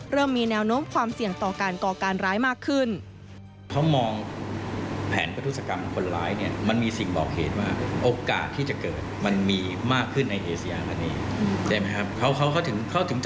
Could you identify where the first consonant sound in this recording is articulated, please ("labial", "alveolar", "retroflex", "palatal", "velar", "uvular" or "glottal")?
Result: alveolar